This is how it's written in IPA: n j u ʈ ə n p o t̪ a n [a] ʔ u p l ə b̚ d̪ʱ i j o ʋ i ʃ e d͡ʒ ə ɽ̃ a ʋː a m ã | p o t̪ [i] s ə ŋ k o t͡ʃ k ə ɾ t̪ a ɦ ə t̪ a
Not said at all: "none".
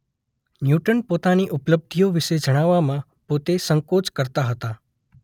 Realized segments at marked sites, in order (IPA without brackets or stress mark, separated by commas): i, e